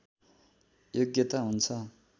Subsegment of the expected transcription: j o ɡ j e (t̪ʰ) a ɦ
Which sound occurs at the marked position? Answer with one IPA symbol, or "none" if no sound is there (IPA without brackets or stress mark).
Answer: t̪